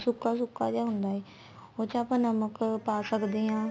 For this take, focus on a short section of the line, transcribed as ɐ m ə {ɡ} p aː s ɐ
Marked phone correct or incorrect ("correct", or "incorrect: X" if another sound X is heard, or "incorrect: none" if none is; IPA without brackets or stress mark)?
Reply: incorrect: k